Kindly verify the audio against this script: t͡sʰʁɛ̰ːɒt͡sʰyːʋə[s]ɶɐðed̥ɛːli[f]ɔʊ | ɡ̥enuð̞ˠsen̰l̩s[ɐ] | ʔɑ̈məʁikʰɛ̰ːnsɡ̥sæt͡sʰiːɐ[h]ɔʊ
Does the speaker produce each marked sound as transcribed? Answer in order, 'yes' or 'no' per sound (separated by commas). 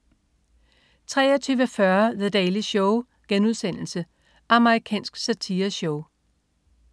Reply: no, no, no, no